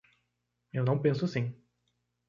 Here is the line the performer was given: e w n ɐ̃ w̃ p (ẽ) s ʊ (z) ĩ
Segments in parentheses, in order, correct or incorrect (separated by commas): correct, incorrect